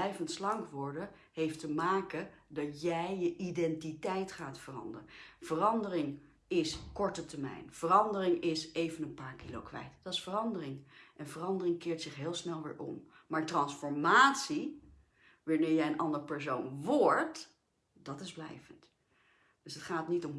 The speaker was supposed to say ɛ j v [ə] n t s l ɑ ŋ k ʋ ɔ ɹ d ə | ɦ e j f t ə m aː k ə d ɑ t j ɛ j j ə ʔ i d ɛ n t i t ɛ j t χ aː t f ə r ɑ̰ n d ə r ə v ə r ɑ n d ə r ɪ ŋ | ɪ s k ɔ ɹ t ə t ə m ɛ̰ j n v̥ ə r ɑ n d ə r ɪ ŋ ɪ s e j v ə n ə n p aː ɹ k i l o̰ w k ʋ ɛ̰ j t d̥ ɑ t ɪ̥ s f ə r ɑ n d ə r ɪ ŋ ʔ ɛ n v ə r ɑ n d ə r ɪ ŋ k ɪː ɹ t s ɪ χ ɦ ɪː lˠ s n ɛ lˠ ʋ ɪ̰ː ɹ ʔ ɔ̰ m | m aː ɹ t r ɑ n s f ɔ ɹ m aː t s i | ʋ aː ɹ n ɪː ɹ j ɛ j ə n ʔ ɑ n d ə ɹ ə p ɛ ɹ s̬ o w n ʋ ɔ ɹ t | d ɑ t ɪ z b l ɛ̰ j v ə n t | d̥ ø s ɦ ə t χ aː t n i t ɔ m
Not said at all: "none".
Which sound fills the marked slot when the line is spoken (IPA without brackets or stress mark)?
ə